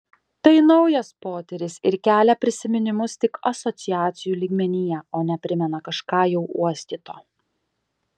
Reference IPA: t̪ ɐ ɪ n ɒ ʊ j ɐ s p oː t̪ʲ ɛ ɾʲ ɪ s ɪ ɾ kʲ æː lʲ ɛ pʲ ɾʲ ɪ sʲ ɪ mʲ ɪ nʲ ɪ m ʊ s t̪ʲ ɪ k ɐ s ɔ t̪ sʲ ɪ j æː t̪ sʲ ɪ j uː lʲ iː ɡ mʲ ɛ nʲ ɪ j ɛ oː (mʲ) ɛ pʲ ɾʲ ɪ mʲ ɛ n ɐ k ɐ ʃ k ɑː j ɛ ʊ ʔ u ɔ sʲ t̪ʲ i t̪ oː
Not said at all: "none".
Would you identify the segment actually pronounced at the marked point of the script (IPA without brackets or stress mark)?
nʲ